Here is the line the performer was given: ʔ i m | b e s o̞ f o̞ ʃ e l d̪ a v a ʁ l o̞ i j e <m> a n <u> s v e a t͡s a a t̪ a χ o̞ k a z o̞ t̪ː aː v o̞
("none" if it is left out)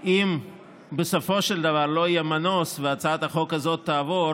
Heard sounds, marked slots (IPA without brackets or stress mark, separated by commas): m, o